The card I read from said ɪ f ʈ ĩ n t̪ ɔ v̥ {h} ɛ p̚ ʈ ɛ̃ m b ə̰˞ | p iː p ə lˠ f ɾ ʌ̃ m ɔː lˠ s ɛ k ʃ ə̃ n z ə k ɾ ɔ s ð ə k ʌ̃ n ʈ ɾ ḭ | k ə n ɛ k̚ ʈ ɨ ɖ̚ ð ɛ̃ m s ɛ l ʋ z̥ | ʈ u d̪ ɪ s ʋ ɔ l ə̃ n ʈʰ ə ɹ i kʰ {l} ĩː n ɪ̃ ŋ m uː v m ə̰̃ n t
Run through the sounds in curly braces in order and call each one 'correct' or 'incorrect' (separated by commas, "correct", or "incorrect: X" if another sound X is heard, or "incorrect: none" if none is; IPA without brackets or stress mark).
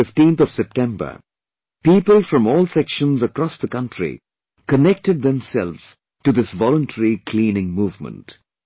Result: incorrect: s, correct